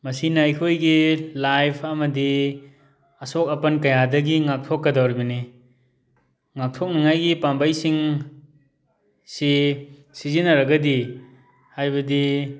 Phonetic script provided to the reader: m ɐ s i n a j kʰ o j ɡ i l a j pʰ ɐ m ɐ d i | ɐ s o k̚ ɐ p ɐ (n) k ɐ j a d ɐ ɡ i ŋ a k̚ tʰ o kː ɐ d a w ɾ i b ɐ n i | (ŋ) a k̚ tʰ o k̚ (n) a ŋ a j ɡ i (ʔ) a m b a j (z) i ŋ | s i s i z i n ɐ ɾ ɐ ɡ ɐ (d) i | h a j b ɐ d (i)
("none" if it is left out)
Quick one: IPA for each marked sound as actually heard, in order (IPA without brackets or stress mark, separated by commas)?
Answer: n, ŋ, n, p, s, d, i